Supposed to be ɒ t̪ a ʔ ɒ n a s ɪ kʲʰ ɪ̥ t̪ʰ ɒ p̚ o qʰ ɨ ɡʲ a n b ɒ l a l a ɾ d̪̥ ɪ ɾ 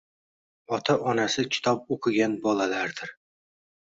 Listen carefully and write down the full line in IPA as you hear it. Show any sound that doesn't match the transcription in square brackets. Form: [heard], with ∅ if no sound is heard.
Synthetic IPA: ɒ [t̪ʰ] a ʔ ɒ n a s ɪ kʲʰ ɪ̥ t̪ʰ ɒ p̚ o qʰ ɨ ɡʲ a n b ɒ l a l a ɾ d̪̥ ɪ ɾ